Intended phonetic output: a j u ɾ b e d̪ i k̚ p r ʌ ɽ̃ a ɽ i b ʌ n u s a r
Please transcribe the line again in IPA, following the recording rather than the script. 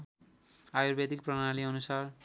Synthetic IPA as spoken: a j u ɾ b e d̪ i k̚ p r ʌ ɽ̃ a l i ʌ n u s a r